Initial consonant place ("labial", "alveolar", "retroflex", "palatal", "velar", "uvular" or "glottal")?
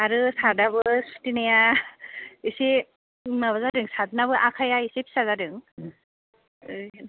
alveolar